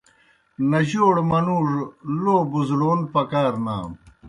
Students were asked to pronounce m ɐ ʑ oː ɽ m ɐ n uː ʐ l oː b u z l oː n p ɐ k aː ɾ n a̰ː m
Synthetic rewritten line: n ɐ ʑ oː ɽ m ɐ n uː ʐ l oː b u z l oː n p ɐ k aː ɾ n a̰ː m